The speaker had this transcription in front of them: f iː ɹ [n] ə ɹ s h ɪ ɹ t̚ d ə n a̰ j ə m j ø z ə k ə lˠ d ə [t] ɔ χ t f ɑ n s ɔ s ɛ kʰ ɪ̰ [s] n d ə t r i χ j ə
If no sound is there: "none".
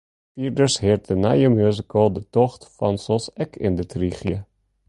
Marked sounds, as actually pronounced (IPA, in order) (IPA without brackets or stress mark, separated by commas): d, t, none